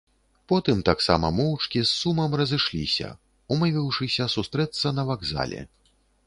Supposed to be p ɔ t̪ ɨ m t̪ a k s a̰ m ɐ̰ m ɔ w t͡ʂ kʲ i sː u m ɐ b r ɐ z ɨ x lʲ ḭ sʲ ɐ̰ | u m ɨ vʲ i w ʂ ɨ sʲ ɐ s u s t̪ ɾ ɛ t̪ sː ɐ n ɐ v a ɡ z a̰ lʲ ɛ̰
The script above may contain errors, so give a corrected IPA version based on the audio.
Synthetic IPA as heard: p ɔ t̪ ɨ m t̪ a k s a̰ m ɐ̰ m ɔ w t͡ʂ kʲ i sː u m ɐ m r ɐ z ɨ ʂ lʲ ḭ sʲ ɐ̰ | u m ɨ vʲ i w ʂ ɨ sʲ ɐ s u s t̪ ɾ ɛ t̪ sː ɐ n ɐ v a ɡ z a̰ lʲ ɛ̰